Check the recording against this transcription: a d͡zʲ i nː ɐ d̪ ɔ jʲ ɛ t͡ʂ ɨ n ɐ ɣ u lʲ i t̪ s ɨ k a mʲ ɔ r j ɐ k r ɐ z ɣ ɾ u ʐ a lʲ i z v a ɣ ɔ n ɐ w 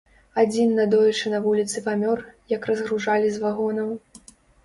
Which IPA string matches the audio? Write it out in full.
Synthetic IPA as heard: a d͡zʲ i nː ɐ d̪ ɔ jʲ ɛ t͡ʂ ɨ n ɐ v u lʲ i t̪ s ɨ p a mʲ ɔ r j ɐ k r ɐ z ɣ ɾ u ʐ a lʲ i z v a ɣ ɔ n ɐ w